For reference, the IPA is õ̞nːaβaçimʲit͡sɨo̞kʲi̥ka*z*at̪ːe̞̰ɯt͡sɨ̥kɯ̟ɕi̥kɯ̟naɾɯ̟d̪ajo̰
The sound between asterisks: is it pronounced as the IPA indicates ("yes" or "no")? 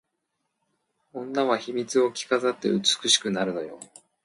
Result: yes